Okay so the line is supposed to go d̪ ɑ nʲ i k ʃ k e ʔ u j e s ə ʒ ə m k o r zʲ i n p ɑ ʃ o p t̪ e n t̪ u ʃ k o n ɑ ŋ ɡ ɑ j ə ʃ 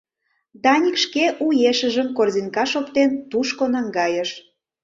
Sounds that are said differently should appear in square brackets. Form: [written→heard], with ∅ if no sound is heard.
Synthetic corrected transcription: d̪ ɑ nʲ i k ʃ k e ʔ u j e [s→ʃ] ə ʒ ə m k o r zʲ i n [p→k] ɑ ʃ o p t̪ e n t̪ u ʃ k o n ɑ ŋ ɡ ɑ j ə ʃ

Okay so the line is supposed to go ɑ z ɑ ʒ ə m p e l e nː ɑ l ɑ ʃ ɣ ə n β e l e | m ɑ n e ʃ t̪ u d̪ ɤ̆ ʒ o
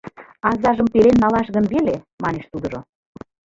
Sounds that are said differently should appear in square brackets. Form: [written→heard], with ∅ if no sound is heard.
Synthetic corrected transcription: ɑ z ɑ ʒ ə m p e l e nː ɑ l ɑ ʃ ɣ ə n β e l e | m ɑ n e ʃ t̪ u d̪ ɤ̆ ʒ o

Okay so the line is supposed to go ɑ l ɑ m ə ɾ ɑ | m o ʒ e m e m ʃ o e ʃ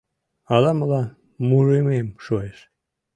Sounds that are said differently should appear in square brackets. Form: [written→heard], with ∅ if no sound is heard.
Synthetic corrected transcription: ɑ l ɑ m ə [ɾ→l] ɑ | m [o→u] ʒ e m e m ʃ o e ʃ

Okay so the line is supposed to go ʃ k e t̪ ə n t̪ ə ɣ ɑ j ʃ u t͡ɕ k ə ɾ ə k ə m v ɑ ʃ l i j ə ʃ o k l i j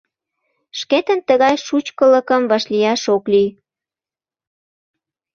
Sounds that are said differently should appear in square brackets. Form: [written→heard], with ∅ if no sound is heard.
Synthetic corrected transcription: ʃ k e t̪ ə n t̪ ə ɣ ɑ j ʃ u t͡ɕ k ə [ɾ→l] ə k ə m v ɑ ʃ l i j [ə→ɑ] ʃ o k l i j

